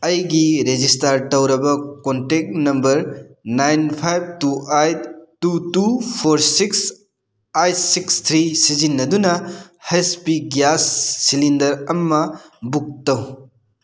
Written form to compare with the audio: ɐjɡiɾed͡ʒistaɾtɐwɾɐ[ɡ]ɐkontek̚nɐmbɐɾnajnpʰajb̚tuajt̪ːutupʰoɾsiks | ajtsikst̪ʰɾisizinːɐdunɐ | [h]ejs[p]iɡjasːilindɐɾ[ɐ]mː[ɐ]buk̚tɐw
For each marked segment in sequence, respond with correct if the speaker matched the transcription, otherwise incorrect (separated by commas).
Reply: incorrect, correct, correct, correct, correct